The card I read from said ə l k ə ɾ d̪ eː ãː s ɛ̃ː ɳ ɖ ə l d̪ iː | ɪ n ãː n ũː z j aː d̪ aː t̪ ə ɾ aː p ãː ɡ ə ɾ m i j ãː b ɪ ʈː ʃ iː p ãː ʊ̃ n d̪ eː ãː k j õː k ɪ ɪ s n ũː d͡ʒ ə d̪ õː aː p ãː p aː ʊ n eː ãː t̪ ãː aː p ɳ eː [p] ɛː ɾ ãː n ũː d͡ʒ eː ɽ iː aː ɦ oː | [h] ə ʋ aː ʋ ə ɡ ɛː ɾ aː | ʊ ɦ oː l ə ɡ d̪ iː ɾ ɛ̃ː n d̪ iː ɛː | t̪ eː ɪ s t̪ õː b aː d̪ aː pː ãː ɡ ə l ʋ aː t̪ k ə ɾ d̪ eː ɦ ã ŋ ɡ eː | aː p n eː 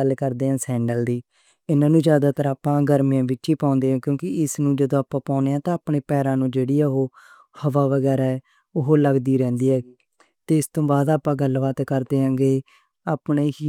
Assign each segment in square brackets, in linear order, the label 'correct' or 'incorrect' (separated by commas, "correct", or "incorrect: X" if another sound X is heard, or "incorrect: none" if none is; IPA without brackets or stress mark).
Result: correct, correct